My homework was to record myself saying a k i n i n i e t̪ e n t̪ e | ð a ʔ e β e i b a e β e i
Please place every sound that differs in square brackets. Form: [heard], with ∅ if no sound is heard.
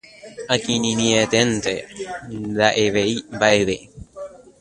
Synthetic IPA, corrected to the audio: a k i n i n i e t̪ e n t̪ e | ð a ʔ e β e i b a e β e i